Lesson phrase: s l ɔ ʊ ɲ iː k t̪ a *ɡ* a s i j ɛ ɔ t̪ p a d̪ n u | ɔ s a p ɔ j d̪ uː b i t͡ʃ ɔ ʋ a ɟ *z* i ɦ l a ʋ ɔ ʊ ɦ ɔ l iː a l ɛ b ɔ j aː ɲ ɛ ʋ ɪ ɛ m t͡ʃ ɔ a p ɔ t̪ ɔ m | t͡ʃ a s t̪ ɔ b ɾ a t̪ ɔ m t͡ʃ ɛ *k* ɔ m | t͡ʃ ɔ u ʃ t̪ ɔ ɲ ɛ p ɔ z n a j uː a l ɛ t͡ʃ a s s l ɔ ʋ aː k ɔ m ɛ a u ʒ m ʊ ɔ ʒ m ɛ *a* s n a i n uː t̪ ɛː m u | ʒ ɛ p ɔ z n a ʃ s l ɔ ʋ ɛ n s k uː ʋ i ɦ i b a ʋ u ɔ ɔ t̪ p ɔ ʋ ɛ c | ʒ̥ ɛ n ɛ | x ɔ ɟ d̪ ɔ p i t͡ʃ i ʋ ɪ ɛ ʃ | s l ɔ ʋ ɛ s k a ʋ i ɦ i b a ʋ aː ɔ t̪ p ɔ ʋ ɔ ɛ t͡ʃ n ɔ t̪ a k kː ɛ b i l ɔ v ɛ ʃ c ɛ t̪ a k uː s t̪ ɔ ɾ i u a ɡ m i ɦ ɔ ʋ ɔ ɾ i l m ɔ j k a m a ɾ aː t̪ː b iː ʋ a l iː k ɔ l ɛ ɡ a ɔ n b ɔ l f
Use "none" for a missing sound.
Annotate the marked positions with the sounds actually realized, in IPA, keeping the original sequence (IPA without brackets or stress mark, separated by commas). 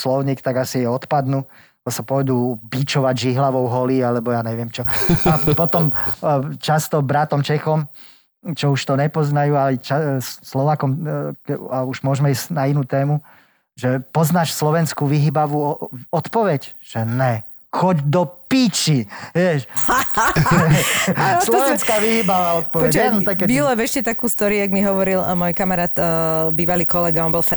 ɡ, ʒ, x, i